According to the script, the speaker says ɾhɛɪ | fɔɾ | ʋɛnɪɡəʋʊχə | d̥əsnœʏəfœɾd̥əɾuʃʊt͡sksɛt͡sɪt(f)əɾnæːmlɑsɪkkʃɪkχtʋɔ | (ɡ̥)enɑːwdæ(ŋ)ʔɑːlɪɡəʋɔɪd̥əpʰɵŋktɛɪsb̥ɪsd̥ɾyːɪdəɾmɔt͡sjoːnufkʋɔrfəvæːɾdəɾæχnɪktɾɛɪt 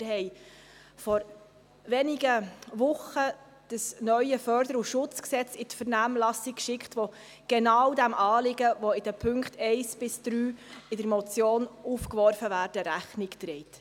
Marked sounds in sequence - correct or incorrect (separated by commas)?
correct, correct, incorrect